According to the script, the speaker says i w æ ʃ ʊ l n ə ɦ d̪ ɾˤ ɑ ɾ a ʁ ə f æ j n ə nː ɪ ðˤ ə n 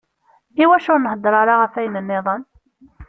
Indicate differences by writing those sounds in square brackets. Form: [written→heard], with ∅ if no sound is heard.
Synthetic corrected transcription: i w æ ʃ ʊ [l→ɾ] n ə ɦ d̪ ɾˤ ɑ ɾ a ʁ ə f æ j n ə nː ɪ ðˤ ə n